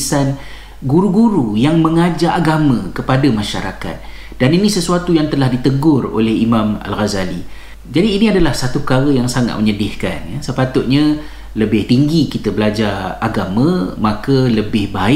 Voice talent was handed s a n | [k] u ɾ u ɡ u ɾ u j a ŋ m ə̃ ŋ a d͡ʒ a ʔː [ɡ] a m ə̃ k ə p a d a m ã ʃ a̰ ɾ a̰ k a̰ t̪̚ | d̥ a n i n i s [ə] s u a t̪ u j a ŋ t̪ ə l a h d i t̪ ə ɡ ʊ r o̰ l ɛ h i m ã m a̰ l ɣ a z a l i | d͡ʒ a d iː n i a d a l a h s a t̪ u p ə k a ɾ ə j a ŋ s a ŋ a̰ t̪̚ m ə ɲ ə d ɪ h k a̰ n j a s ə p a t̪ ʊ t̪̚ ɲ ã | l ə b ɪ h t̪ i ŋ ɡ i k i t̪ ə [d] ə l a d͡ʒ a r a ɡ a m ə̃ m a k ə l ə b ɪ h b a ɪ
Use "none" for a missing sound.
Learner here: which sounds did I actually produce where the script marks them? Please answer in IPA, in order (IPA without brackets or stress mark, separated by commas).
ɡ, ɡ, ə, b